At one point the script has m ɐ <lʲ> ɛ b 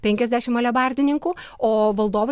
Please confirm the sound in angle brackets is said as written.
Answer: yes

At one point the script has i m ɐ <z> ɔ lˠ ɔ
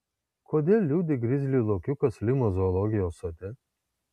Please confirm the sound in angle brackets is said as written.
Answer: yes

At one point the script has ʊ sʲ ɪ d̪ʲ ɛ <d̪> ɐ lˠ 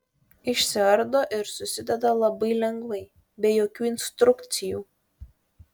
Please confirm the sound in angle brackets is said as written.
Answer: yes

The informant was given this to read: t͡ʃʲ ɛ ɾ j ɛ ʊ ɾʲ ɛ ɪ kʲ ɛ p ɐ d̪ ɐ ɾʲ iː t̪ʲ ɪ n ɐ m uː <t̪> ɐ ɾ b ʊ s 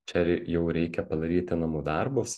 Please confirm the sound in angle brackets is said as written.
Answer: no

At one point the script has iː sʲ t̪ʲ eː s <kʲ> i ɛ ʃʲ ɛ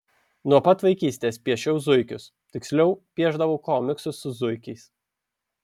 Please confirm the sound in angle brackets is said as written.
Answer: no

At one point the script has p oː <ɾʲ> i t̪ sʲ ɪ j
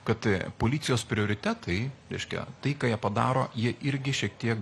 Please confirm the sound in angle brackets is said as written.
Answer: no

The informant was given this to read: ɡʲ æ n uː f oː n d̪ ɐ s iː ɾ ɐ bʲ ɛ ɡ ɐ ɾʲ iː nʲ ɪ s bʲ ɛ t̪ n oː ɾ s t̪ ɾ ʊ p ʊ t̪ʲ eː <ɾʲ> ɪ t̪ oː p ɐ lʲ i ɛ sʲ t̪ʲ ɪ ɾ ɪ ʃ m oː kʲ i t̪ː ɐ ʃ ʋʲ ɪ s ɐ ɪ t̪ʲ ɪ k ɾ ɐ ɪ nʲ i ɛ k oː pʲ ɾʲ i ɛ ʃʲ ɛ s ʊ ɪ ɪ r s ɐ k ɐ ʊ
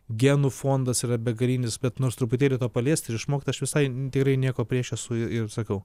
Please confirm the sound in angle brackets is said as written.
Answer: no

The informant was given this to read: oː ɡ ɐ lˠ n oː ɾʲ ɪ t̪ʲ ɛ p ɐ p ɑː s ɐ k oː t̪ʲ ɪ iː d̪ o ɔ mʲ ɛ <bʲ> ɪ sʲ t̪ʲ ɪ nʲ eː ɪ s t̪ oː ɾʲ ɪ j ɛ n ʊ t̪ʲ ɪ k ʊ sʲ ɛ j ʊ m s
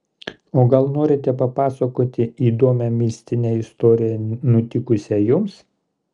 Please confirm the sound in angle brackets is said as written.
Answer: no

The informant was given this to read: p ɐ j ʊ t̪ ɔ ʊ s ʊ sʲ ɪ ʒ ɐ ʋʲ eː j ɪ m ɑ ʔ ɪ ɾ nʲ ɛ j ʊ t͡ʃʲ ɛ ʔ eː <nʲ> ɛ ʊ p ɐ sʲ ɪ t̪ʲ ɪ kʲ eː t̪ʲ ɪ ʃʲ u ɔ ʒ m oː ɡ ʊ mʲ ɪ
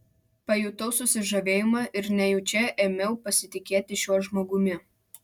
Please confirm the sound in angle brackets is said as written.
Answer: no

